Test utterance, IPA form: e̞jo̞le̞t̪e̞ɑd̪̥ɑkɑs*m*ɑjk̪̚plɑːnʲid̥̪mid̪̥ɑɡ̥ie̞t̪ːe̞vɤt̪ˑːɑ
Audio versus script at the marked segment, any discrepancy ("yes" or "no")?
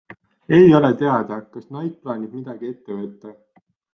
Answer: yes